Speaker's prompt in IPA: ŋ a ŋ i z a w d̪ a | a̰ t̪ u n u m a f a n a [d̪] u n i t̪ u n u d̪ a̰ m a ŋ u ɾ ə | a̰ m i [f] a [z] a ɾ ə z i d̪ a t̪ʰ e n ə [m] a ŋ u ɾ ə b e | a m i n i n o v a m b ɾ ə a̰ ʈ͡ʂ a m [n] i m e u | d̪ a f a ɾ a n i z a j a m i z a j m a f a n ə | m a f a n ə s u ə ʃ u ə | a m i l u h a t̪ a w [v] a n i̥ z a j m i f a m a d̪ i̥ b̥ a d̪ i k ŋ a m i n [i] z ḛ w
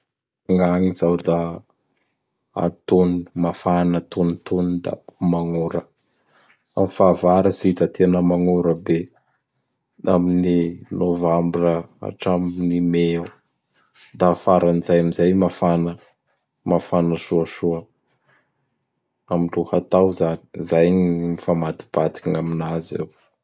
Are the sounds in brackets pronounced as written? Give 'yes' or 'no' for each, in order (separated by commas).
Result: no, yes, no, yes, yes, no, no